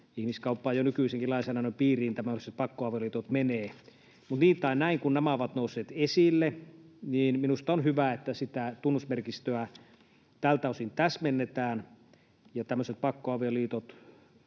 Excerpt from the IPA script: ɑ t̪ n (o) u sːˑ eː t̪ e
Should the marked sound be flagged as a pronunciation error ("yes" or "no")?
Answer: no